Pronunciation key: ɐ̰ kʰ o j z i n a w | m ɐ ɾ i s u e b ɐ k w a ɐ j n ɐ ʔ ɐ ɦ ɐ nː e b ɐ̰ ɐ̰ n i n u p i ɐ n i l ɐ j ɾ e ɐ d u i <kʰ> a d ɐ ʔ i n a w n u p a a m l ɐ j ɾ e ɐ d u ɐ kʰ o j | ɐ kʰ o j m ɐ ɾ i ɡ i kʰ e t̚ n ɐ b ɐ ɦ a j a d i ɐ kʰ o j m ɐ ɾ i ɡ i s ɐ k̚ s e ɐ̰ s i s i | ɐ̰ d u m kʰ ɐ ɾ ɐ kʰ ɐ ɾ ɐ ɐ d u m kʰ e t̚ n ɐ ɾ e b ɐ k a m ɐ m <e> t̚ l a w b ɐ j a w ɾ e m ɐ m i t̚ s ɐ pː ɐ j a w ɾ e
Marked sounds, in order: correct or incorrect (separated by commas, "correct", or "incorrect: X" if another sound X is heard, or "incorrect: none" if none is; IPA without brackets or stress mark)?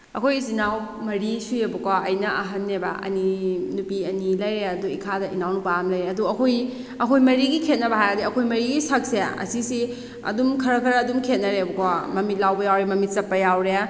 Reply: correct, incorrect: i